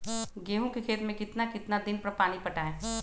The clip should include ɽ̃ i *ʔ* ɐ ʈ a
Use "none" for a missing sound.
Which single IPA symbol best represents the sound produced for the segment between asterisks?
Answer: p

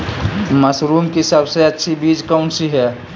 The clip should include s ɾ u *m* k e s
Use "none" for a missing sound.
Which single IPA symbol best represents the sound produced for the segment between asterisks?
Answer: m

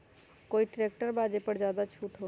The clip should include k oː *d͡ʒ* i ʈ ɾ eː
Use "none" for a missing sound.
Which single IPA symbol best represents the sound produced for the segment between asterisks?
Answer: none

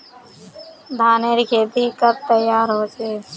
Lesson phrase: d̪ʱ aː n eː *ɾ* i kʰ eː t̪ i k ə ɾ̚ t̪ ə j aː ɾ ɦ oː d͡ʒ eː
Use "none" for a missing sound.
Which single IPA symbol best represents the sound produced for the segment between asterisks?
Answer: ɾ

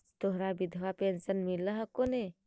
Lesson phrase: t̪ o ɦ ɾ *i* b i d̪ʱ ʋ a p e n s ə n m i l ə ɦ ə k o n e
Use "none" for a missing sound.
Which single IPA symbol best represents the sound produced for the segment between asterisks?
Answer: a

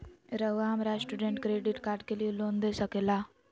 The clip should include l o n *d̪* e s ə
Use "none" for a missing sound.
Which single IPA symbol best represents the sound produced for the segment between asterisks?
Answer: d̪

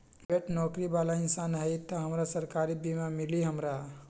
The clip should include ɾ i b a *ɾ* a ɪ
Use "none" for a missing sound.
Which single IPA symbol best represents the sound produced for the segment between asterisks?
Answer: l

